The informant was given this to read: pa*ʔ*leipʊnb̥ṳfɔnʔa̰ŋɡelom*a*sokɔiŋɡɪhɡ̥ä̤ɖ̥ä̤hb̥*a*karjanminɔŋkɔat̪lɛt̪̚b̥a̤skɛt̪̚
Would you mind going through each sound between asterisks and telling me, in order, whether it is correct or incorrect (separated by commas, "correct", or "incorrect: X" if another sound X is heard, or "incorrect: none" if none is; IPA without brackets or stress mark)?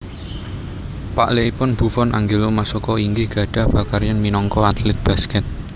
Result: correct, correct, correct